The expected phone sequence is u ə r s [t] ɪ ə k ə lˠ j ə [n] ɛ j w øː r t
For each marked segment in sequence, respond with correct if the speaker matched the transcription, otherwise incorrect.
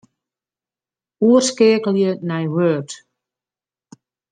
incorrect: k, correct

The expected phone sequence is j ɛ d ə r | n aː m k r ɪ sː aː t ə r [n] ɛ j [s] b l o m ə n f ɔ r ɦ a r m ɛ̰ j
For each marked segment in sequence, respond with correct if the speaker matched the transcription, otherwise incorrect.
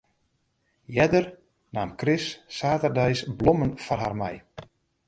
incorrect: d, correct

